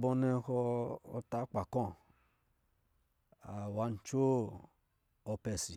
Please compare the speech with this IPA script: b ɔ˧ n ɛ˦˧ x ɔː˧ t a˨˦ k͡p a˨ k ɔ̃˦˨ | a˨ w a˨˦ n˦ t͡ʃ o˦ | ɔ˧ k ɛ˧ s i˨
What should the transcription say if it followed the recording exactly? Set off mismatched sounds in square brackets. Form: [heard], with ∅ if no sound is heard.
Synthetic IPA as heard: b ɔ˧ n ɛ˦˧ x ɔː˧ t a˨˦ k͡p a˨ k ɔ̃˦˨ | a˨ w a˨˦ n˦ t͡ʃ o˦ | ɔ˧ [p] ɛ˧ s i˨

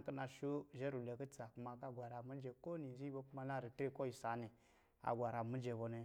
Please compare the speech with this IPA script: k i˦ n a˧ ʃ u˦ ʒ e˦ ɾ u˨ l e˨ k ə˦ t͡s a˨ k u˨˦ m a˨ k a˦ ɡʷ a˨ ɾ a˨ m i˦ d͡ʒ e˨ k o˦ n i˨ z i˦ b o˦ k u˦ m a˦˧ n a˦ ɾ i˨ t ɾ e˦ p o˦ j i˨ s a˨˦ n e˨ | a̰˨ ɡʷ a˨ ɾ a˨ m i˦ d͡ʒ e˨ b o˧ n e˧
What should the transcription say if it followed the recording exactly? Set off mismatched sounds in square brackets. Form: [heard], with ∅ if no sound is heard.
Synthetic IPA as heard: k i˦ n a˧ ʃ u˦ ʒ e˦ ɾ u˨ l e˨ k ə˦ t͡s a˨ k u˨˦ m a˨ k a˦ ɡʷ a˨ ɾ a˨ m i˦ d͡ʒ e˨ k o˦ n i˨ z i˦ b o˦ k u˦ m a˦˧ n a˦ ɾ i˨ t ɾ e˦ [k] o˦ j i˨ s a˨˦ n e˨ | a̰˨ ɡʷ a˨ ɾ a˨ m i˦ d͡ʒ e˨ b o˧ n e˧

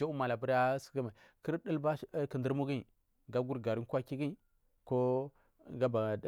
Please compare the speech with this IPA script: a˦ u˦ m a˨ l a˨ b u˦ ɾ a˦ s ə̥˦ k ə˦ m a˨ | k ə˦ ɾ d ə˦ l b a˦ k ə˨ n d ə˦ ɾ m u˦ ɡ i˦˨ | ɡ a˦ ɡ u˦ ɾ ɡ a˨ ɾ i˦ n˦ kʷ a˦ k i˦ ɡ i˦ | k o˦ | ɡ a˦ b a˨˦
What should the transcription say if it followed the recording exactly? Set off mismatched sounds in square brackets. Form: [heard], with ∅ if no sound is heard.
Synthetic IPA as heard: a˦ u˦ m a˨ l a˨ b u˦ ɾ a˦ s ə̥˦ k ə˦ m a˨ | k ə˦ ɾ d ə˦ l b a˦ k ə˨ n d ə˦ ɾ m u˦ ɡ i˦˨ | ɡ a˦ ɡ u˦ ɾ ɡ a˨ ɾ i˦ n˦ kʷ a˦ k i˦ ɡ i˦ | k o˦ | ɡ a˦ b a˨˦

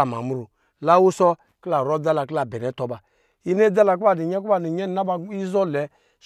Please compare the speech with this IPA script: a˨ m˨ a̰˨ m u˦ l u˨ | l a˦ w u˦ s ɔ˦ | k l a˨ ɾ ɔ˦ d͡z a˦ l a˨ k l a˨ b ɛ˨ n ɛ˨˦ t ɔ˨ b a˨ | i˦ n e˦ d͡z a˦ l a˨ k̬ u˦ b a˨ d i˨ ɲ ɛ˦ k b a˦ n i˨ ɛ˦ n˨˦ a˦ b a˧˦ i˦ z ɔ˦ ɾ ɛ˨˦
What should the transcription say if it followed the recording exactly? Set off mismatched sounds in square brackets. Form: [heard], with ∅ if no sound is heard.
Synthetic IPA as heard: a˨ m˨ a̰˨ m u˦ [ɾ] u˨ | l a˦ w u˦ s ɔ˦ | k l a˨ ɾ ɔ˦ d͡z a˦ l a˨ k l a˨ b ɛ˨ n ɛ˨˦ t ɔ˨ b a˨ | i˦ n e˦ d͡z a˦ l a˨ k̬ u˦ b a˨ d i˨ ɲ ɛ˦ k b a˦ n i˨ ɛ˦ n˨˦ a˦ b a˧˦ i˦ z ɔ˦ [l] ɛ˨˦

